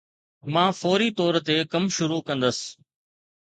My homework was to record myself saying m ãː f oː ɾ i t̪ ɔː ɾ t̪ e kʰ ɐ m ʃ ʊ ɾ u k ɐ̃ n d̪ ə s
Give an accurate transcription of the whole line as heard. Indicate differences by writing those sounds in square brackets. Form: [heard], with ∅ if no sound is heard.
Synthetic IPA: m ãː f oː ɾ i t̪ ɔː ɾ t̪ e [k] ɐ m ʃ ʊ ɾ u k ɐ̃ n d̪ ə s